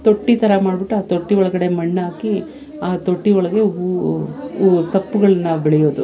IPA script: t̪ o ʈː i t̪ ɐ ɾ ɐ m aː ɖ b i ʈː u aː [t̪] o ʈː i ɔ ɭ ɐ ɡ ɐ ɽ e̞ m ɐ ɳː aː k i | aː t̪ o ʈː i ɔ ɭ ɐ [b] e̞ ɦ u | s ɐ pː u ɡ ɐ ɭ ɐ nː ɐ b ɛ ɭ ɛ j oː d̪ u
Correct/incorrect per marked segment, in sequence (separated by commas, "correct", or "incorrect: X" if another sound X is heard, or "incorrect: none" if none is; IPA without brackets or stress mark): correct, incorrect: ɡ